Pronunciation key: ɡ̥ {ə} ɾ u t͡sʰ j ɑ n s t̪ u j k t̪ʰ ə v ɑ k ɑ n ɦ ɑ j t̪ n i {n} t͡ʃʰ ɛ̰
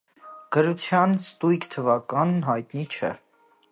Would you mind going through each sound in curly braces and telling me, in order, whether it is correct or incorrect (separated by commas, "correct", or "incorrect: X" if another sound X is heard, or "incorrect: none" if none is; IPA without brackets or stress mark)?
correct, incorrect: none